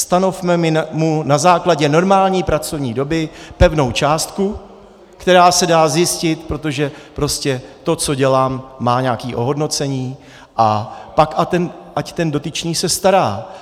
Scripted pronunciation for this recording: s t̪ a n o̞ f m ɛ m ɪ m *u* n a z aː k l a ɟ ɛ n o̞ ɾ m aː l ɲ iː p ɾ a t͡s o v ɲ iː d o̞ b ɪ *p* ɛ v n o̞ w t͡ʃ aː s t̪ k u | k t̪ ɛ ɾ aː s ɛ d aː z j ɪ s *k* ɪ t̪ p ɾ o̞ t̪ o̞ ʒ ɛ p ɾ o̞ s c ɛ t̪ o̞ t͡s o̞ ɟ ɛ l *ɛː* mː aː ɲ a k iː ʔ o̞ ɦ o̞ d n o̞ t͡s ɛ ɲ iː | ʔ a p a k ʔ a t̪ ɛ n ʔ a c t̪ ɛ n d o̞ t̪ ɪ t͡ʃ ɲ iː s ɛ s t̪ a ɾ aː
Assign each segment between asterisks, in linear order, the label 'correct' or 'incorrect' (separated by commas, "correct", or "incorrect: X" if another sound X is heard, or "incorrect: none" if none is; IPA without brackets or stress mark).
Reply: correct, correct, incorrect: c, incorrect: aː